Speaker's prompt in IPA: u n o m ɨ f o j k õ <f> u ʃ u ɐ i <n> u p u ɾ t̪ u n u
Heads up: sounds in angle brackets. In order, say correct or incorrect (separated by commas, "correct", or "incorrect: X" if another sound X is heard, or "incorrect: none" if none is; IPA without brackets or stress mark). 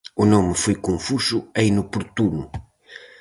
correct, correct